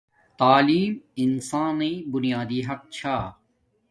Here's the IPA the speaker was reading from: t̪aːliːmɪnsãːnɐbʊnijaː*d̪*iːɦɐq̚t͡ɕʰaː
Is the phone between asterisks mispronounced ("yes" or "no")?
no